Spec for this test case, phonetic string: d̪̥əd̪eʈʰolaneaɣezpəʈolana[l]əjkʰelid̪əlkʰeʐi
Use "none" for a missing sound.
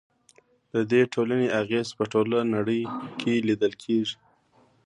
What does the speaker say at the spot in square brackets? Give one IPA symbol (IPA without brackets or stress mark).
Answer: ɽ